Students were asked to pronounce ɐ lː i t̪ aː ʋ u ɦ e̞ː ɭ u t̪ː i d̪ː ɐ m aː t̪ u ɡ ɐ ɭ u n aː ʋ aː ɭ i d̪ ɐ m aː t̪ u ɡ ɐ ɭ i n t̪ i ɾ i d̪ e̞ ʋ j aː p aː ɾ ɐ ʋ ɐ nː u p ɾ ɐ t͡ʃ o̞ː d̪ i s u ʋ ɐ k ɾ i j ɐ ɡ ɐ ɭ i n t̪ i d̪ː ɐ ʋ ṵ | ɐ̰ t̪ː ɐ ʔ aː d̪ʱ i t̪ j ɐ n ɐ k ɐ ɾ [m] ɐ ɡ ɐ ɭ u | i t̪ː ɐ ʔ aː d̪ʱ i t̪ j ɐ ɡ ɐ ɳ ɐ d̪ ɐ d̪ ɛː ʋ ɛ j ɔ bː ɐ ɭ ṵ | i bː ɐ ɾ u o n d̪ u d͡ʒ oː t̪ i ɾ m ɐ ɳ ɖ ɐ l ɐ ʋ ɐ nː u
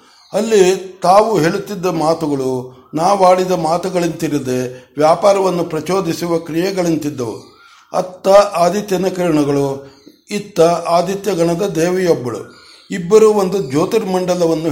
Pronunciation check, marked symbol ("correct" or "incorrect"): incorrect